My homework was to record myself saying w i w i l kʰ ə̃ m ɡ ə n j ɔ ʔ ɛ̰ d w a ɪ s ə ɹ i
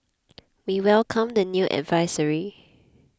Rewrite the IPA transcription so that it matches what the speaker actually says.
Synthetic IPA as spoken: w i w ɛ l kʰ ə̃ m d ə n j u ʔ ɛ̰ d v a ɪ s ə ɹ i